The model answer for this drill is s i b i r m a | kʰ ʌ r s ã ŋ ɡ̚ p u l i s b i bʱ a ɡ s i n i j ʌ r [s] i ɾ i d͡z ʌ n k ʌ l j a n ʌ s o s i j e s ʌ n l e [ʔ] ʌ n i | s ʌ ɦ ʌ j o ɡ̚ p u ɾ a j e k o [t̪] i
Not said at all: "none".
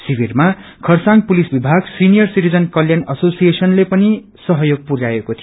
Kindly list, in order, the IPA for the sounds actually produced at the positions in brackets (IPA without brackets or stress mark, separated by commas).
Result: s, p, t̪ʰ